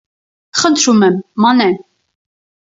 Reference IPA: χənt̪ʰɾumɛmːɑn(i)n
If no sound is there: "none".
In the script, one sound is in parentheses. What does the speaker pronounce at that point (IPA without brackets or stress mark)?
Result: ɛ